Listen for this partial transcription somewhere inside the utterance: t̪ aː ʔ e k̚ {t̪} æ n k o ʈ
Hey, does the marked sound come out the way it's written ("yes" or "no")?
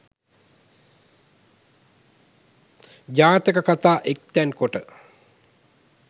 yes